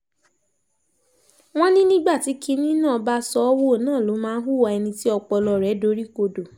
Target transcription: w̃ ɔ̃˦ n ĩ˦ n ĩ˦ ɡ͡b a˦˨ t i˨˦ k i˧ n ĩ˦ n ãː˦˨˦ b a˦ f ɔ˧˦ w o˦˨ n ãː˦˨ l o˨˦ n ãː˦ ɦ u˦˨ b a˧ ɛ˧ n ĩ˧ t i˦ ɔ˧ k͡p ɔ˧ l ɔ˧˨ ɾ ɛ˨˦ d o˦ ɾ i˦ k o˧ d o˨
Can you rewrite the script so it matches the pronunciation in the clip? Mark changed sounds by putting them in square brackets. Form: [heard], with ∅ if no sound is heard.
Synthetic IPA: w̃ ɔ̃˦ n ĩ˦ n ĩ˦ ɡ͡b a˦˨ t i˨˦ k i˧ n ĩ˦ n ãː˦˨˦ b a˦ [s] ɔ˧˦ w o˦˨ n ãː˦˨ l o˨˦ [m] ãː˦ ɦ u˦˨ [w] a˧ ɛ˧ n ĩ˧ t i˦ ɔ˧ k͡p ɔ˧ l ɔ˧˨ ɾ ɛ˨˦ d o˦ ɾ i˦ k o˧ d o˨